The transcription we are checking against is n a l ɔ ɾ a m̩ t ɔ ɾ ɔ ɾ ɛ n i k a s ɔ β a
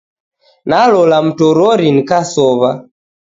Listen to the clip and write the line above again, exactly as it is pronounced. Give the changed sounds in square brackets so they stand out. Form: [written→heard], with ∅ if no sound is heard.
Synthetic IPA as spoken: n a l ɔ [ɾ→l] a m̩ t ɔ ɾ ɔ ɾ [ɛ→i] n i k a s ɔ β a